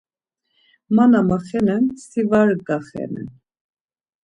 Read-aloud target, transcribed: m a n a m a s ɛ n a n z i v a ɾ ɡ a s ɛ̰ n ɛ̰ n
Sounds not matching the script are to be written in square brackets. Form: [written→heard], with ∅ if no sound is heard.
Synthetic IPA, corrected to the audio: m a n a m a [s→χ] ɛ n [a→ɛ] n [z→s] i v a ɾ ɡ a [s→χ] ɛ̰ n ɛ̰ n